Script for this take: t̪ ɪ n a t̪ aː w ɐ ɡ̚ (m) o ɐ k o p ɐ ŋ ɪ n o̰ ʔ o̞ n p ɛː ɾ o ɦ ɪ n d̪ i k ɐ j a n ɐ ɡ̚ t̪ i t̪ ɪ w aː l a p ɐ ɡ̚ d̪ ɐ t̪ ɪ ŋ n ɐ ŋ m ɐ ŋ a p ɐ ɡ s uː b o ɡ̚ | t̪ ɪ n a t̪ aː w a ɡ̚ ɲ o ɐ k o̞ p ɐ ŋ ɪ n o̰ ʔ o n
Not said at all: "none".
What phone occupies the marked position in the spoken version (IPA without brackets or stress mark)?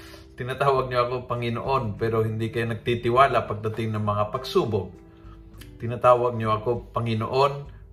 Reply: ɲ